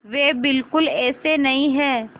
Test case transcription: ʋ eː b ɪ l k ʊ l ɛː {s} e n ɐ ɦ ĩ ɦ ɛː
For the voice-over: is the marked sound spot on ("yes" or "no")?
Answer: yes